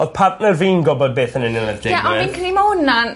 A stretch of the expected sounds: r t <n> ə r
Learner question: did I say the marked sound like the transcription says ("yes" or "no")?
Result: yes